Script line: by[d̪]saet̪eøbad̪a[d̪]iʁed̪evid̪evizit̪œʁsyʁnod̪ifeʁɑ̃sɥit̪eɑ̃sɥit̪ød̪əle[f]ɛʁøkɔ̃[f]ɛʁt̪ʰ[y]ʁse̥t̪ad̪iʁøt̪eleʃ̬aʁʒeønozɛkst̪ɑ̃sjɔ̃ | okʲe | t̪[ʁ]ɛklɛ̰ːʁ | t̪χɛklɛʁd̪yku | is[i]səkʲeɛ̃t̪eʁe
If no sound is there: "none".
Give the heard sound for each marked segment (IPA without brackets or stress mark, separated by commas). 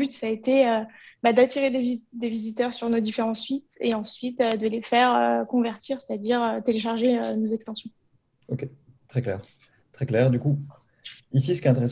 t̪, t̪, f, v, i, χ, i